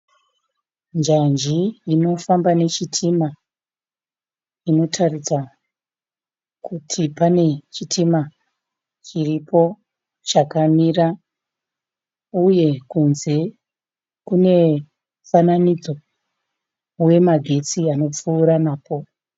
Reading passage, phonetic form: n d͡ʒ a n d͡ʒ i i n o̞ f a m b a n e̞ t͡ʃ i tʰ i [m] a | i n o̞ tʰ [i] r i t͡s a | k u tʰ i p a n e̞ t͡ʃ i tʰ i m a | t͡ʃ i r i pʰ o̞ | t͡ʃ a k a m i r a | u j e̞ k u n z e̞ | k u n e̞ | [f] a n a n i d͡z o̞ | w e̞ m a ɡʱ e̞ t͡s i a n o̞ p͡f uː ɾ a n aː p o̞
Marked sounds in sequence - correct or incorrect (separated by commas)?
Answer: correct, incorrect, correct